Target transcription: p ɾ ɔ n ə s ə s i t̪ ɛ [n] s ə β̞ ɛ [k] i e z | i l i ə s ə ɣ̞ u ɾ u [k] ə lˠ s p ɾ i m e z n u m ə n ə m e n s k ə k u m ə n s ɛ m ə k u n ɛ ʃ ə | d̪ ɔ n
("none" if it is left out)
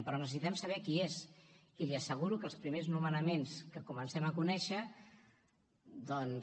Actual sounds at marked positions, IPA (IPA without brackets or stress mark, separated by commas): m, k, k